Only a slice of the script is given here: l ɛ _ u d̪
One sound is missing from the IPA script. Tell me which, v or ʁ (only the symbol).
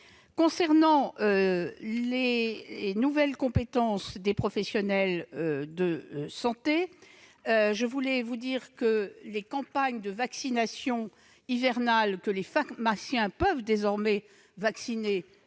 v